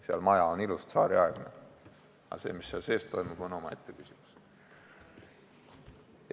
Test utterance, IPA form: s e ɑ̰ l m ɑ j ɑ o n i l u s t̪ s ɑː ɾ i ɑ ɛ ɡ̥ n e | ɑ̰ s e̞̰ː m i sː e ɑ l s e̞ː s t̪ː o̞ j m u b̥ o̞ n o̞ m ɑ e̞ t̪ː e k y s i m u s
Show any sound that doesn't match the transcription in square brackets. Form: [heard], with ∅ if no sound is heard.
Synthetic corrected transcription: s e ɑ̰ l m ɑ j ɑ o n i l u s t̪ s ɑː ɾ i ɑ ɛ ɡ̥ n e | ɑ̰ s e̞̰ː m i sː e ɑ l s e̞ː s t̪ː o̞ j m u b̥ o̞ n o̞ m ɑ e̞ t̪ː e k y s i m u s